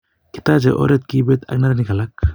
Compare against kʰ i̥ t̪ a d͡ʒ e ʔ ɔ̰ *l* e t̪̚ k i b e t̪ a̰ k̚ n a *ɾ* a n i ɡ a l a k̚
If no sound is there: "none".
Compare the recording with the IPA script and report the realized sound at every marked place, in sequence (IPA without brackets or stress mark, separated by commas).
ɾ, ɾ